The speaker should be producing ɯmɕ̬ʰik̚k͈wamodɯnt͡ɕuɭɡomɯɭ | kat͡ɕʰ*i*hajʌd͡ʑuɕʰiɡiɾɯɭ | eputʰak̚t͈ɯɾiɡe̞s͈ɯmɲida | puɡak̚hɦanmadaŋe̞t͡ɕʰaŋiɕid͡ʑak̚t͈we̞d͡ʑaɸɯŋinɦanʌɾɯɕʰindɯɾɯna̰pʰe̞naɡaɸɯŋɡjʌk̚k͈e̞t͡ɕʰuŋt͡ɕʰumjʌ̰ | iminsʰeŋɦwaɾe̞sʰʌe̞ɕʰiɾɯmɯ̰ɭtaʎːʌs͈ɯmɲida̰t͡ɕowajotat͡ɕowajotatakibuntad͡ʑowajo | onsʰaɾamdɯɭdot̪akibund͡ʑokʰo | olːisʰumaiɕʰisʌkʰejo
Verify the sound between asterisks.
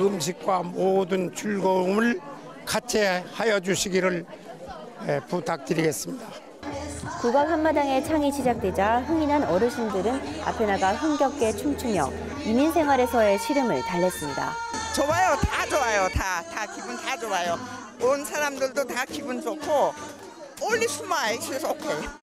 incorrect: e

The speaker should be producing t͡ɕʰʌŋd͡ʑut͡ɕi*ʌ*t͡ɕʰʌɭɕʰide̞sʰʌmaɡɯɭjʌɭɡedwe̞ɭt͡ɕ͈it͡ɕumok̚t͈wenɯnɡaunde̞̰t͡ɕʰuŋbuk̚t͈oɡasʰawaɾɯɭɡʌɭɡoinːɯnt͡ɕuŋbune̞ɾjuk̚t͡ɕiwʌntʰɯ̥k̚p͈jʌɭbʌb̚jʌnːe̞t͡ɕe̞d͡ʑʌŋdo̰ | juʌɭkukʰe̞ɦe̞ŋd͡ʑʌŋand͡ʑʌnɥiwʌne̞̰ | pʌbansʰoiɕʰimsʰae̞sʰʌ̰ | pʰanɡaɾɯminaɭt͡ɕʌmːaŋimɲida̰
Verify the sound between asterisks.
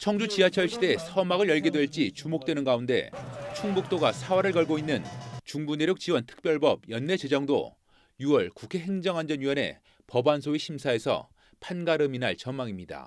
incorrect: a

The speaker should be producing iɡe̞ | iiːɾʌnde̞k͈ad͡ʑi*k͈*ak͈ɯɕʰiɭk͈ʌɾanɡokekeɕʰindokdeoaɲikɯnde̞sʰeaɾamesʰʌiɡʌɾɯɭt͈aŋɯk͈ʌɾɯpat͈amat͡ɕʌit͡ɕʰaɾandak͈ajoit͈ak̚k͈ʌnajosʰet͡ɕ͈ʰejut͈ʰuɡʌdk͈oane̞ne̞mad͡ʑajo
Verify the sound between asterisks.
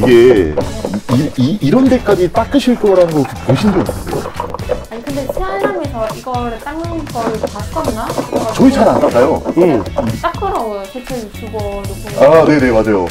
incorrect: t͈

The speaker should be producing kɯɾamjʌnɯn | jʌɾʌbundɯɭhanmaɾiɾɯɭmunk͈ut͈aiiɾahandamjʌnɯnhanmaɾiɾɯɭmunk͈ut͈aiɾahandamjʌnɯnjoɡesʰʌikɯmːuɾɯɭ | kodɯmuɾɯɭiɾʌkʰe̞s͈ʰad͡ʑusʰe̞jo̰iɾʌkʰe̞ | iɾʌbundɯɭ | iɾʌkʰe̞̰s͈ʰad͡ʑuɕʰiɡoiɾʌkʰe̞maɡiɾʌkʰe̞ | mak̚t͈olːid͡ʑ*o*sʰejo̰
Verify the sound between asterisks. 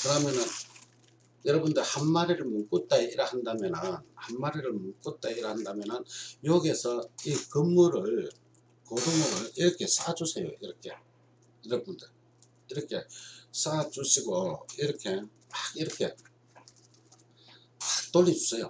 incorrect: u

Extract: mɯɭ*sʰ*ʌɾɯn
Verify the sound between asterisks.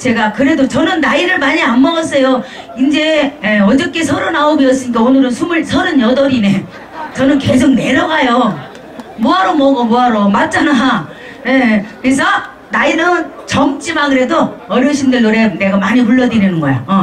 correct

